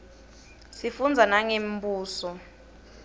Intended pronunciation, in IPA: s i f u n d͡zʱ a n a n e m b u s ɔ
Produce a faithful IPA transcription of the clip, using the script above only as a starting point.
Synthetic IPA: s i f u n d͡zʱ a n a ŋ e m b uː s ɔ

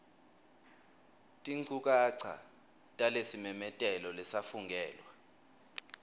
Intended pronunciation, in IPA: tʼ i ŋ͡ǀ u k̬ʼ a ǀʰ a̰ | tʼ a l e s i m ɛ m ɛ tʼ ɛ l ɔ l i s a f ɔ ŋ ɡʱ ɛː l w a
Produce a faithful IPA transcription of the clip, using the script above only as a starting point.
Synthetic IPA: tʼ i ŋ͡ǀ u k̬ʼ a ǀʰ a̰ | tʼ a l e s i m ɛ m ɛ tʼ ɛ l ɔ l ɛ s a f u ŋ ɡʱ ɛː l w a

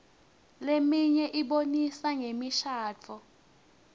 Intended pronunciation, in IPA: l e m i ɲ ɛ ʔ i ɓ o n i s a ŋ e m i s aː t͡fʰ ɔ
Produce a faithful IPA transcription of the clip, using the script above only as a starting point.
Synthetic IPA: l e m i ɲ ɛ ʔ i ɓ o n i s a ŋ e m i ʃ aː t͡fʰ ɔ

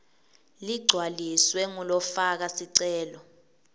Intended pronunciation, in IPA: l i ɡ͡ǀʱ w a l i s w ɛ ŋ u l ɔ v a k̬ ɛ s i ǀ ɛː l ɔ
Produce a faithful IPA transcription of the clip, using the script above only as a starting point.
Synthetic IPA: l i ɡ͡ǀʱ w a l i s w ɛ ŋ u l ɔ f a k̬ a s i ǀ ɛː l ɔ

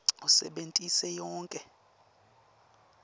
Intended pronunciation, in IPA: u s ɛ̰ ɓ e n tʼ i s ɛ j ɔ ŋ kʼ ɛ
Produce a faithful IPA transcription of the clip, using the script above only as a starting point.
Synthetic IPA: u s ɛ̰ ɓ e n tʼ i s ɛ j ɔː ŋ kʼ ɛ

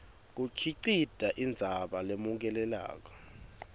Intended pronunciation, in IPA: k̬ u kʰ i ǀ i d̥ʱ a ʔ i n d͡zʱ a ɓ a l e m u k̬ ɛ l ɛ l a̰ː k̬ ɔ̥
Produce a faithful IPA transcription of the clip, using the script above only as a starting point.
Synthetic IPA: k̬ u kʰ i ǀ i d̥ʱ a ʔ i n d͡zʱ a ɓ a l e m u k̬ ɛ l ɛ l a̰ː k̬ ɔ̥

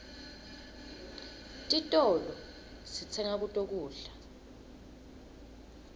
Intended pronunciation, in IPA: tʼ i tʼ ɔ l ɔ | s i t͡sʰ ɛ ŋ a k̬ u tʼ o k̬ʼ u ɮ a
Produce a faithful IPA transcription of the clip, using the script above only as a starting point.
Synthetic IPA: tʼ i tʼ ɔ l ɔ | s i t͡sʰ ɛ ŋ a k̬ u tʼ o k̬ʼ uː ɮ a

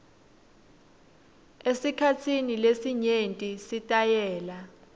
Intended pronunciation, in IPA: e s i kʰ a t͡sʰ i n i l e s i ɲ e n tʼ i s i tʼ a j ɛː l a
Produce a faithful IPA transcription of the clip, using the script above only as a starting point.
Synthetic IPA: e s i kʰ a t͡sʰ i n i l e s i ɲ e n tʼ i s i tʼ a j ɛː l a

